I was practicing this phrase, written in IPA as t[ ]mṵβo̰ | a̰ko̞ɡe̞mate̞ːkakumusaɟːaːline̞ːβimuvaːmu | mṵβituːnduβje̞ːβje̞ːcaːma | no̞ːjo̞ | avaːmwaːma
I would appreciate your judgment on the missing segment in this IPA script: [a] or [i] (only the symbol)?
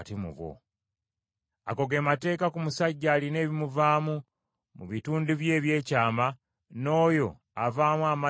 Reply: i